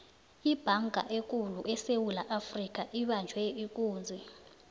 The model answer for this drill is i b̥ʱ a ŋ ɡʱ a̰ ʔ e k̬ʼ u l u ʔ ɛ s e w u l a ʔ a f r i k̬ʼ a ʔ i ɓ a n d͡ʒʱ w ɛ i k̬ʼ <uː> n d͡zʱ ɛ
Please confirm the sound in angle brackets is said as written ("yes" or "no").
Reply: yes